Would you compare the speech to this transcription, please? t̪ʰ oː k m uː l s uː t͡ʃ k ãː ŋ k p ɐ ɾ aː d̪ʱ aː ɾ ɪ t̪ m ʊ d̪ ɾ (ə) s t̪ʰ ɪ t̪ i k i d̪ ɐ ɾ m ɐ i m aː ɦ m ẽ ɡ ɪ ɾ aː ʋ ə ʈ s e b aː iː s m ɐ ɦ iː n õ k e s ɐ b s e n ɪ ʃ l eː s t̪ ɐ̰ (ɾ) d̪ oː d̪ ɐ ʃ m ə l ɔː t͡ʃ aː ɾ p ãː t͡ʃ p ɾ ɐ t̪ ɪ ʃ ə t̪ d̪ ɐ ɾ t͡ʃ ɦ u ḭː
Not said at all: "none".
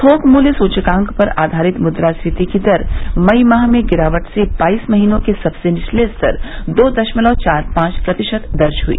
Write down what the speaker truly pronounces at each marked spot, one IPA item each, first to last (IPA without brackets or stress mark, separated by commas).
a, ɾ